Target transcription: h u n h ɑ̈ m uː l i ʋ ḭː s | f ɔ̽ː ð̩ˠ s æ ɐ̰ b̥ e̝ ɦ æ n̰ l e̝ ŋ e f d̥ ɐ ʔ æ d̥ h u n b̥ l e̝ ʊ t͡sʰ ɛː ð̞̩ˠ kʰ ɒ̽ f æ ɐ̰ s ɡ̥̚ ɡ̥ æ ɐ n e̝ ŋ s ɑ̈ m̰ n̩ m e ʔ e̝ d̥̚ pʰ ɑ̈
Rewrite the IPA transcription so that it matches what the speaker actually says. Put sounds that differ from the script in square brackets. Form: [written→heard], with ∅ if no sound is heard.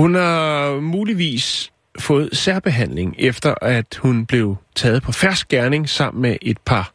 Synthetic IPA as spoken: h u n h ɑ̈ m uː l i ʋ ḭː s | f ɔ̽ː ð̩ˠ s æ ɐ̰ b̥ e̝ ɦ æ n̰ l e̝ ŋ e f d̥ ɐ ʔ æ d̥ h u n b̥ l e̝ ʊ t͡sʰ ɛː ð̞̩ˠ [kʰ→pʰ] ɒ̽ f æ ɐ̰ s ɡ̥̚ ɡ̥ æ ɐ n e̝ ŋ s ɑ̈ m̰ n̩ m e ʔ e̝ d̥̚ pʰ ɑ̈